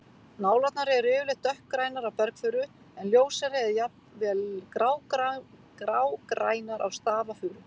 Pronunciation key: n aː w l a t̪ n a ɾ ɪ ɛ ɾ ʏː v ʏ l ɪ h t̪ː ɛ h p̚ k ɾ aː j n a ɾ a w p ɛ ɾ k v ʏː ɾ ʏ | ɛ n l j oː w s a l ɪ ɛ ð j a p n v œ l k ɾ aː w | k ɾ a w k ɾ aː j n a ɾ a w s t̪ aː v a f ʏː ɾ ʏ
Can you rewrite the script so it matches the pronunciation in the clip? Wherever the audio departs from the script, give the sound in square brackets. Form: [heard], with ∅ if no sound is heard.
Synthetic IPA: n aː w l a t̪ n a ɾ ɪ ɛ ɾ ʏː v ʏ l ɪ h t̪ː [œ] h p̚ k ɾ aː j n a ɾ a w p ɛ ɾ k [f] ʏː ɾ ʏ | ɛ n l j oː w s a [ɾ] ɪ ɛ ð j a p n v [ɛ] l k ɾ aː w | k ɾ a w k ɾ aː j n a ɾ a w s t̪ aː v a f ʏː ɾ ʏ